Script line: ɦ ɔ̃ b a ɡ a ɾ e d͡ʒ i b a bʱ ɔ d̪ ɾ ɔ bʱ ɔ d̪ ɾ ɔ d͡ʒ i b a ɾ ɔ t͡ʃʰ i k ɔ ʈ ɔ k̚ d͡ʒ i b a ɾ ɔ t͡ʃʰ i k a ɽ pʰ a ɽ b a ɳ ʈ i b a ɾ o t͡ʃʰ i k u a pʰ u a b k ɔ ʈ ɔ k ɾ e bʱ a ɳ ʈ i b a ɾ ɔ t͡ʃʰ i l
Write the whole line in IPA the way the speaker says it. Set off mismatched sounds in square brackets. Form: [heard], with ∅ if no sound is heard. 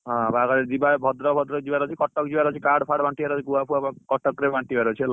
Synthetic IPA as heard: ɦ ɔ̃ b a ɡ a ɾ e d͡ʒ i b a bʱ ɔ d̪ ɾ ɔ bʱ ɔ d̪ ɾ ɔ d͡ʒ i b a ɾ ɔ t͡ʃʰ i k ɔ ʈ ɔ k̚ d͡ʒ i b a ɾ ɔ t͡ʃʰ i k a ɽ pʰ a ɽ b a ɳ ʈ i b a ɾ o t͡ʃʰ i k u a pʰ u a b k ɔ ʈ ɔ k ɾ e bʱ a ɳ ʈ i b a ɾ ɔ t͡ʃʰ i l